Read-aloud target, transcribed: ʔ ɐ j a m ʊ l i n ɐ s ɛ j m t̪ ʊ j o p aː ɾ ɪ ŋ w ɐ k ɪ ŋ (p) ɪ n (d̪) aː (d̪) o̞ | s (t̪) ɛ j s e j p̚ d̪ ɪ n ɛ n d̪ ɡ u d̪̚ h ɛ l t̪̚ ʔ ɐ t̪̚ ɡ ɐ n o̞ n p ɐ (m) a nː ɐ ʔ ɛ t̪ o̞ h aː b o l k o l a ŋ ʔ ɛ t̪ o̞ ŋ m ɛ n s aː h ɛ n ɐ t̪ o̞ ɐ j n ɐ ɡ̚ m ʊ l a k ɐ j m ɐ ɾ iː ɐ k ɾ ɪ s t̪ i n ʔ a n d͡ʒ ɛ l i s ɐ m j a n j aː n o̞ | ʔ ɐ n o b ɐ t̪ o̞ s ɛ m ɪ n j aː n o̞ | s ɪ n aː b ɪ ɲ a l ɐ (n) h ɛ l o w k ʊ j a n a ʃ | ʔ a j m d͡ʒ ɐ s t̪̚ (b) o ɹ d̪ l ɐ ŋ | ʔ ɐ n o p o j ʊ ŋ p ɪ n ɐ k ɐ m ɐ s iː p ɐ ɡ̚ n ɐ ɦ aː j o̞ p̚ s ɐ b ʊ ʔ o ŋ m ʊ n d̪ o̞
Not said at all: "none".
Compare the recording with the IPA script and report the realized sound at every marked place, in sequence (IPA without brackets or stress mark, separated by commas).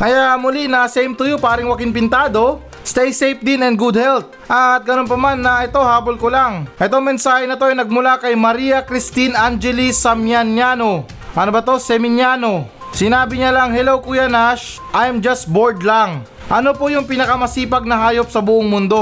p, t̪, d̪, t̪, m, ŋ, b